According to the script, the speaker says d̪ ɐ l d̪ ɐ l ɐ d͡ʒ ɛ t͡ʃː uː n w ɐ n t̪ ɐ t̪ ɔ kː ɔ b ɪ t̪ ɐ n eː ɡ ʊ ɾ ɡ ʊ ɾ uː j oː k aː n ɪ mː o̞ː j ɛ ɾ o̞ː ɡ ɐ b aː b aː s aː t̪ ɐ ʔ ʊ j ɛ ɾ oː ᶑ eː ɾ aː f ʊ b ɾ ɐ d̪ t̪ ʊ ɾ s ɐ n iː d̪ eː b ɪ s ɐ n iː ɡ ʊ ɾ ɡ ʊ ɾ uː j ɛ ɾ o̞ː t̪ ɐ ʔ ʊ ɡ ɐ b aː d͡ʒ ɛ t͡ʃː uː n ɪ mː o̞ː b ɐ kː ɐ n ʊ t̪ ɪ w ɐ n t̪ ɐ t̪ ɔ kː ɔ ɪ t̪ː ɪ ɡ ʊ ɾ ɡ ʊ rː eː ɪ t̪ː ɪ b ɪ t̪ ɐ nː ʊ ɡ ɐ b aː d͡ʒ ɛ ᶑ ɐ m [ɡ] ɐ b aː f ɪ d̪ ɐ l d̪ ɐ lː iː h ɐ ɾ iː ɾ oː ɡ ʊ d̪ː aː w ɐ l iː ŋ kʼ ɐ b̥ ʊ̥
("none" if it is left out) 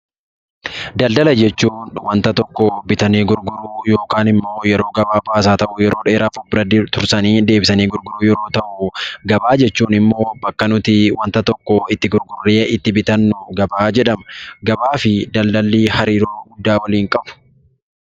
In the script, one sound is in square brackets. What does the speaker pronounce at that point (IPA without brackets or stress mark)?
ɡ